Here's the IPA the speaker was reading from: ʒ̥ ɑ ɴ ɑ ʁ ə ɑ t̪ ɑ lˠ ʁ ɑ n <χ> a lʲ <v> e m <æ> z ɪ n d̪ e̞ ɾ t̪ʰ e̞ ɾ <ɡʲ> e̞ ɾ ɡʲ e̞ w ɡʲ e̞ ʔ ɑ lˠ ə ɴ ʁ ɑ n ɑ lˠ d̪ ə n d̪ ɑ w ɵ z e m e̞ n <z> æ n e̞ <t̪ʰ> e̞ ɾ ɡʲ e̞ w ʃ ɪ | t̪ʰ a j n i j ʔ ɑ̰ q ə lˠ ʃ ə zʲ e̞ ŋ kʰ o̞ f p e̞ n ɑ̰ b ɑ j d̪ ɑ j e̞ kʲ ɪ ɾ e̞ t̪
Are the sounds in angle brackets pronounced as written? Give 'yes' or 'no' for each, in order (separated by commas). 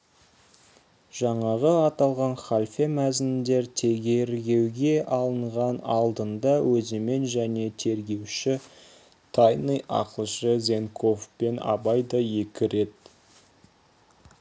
yes, no, yes, yes, no, yes